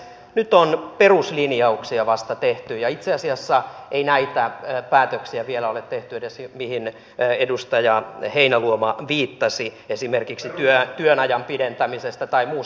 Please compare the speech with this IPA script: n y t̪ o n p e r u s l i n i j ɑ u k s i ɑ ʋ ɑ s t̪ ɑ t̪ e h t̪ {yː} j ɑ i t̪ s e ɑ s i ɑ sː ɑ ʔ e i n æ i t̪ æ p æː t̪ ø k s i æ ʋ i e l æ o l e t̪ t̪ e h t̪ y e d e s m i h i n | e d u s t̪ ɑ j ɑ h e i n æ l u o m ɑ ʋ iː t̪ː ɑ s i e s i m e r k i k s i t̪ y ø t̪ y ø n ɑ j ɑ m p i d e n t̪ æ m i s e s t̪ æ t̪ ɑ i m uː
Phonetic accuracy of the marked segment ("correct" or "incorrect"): incorrect